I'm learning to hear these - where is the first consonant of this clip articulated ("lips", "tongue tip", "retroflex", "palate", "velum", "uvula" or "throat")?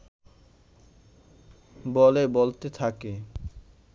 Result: lips